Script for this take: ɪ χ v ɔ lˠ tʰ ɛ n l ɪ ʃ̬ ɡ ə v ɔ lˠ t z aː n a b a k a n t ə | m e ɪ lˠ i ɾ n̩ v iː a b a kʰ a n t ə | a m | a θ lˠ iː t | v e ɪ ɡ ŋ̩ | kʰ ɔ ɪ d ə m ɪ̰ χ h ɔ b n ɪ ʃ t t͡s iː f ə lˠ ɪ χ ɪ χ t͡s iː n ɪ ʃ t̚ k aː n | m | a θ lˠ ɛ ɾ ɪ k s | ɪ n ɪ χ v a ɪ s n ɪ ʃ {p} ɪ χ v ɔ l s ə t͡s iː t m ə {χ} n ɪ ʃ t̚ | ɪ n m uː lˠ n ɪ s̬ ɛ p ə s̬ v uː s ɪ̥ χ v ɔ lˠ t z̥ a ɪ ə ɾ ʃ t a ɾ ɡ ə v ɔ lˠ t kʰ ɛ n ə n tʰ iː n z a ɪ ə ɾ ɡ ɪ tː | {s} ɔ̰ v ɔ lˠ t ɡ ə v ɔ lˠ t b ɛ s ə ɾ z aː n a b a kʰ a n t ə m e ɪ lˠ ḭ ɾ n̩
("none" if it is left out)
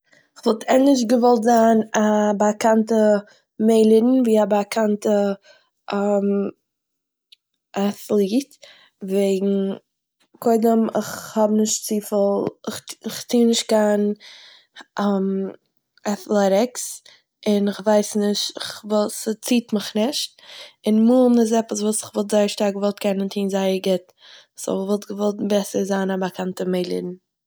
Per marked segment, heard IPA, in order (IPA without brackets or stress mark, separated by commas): t, χ, s